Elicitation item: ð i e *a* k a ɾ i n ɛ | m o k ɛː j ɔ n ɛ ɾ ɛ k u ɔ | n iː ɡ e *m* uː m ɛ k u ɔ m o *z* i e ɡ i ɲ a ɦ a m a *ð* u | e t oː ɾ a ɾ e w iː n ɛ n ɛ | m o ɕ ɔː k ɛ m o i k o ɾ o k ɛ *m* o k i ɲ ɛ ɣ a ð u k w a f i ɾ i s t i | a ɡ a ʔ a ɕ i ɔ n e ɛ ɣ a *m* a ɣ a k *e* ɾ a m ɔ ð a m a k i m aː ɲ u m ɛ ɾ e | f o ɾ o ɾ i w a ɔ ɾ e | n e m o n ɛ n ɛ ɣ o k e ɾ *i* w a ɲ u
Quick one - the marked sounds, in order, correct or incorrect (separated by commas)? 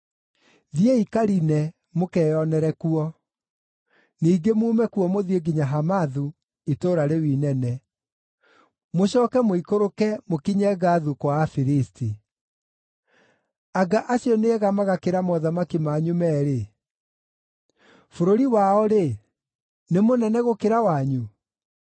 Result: incorrect, correct, incorrect, correct, correct, correct, correct, incorrect